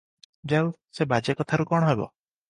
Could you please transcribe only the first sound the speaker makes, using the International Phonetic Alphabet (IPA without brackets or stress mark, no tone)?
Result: d͡ʒ